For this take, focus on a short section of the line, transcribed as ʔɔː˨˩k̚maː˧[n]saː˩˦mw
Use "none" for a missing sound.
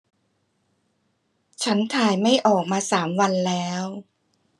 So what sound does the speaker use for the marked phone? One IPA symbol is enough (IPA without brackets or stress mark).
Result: none